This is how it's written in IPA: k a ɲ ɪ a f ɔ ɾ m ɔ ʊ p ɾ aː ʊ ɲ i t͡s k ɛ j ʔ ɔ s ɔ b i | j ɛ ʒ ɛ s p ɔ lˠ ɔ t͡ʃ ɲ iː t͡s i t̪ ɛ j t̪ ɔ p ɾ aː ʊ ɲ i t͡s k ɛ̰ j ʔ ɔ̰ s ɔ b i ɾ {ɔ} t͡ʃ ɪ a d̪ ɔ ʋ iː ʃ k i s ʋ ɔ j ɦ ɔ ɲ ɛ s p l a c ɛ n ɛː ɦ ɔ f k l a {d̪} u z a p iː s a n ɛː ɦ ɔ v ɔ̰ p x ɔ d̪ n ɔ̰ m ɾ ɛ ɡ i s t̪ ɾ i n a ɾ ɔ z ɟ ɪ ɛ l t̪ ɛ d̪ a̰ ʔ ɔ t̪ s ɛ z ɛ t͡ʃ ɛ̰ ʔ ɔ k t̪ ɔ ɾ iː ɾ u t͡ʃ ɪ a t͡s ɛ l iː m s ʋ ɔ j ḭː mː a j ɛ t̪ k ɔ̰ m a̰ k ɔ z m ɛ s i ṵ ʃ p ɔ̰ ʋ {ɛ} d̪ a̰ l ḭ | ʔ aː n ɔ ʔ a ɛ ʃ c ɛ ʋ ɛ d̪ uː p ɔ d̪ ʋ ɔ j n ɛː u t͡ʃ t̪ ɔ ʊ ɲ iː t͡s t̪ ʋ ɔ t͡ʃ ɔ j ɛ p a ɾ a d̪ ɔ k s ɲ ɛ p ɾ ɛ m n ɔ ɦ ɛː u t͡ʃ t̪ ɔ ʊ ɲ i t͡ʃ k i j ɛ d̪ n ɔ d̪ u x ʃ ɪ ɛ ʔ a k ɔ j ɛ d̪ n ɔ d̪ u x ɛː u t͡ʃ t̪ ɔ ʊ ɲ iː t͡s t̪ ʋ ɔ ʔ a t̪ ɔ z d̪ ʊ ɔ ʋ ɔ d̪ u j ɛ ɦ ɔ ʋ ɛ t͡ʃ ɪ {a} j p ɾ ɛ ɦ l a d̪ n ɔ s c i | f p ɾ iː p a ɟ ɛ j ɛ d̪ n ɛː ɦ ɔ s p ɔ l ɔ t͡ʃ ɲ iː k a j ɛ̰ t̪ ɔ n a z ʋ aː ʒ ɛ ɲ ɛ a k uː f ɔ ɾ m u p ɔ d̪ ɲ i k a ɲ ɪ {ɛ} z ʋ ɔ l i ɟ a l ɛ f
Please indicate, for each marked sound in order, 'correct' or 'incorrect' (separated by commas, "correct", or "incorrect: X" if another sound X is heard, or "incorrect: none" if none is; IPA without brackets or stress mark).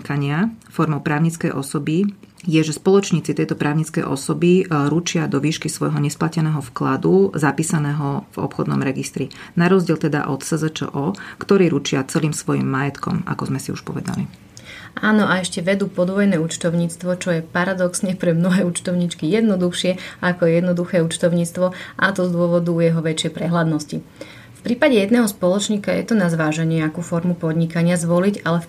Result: incorrect: u, correct, correct, incorrect: ɛ, incorrect: a